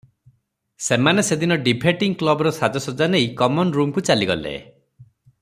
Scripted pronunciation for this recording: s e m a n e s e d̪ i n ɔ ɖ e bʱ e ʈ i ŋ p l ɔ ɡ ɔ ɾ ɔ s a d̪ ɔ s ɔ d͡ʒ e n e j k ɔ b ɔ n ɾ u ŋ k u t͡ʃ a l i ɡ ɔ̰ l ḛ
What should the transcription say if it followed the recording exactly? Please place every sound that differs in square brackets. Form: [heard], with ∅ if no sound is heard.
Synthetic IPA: s e m a n e s e d̪ i n ɔ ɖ [i] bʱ e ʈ i ŋ [k] l ɔ [b] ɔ ɾ ɔ s a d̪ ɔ s ɔ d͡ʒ [a] n e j k ɔ [m] ɔ n ɾ u [m] k u t͡ʃ a l i ɡ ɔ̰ l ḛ